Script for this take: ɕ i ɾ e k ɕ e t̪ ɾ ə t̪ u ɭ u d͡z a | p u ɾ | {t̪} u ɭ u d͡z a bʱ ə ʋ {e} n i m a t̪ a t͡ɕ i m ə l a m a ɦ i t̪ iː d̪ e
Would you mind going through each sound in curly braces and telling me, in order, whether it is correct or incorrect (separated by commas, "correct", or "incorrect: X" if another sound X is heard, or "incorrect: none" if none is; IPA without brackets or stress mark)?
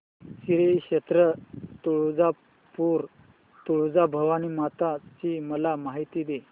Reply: correct, incorrect: a